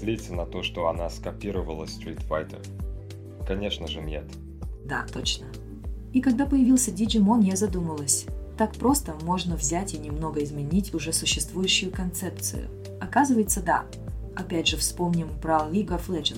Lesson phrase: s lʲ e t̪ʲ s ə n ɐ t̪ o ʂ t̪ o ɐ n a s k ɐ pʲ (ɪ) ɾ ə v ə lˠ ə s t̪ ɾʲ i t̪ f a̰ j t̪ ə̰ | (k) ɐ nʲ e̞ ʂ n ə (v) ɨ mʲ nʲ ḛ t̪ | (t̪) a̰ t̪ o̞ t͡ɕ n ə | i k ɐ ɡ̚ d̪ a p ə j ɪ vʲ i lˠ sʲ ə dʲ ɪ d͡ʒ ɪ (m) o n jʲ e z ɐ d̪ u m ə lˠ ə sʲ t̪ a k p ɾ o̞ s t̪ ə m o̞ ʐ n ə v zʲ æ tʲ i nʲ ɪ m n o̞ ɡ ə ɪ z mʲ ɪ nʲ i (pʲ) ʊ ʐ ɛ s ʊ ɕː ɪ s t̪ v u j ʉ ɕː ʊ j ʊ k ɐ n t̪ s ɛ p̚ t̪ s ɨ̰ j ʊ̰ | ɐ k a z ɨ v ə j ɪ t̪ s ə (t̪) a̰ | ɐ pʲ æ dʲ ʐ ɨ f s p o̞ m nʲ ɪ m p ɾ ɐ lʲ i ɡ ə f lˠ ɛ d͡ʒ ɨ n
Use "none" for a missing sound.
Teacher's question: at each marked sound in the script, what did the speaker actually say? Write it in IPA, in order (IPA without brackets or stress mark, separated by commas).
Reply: i, k, ʐ, d̪, m, tʲ, d̪